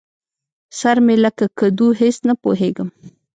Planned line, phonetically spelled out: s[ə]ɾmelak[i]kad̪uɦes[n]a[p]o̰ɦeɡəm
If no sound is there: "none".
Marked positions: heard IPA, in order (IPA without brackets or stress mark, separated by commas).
a, a, n, p